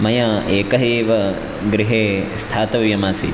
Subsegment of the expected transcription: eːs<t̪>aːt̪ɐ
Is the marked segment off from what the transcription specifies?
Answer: yes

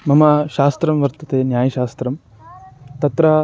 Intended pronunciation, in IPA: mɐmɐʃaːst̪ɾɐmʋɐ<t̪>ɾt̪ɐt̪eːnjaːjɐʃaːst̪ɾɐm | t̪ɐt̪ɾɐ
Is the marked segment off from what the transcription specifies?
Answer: yes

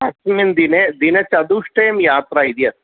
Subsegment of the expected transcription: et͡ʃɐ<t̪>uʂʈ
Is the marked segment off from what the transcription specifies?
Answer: yes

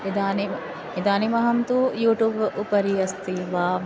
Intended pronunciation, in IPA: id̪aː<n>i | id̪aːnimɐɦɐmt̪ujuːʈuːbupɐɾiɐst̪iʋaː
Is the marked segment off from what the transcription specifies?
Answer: no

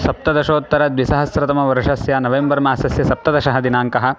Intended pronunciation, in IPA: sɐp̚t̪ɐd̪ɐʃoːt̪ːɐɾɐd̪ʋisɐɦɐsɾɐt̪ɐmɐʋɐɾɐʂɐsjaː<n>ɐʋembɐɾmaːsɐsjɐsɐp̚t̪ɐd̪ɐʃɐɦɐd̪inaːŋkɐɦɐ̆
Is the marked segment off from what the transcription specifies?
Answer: no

